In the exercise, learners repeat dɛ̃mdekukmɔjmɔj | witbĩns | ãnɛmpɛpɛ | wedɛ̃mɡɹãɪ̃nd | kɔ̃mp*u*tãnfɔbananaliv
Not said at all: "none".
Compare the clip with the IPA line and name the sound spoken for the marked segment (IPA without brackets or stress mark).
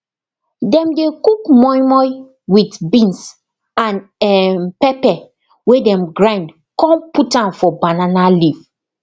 u